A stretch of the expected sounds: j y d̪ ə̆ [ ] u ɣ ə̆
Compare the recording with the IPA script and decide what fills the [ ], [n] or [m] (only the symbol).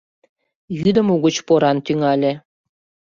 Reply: m